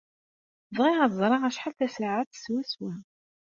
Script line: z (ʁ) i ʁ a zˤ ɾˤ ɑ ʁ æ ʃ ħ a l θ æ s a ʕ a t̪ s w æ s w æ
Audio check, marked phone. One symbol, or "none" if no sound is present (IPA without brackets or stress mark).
ʁ